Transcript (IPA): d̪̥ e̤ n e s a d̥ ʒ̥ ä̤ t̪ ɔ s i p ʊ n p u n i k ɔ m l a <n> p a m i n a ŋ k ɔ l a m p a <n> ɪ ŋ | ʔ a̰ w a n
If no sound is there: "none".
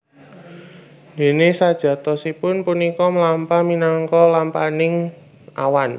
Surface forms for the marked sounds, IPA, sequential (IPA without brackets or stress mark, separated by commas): m, n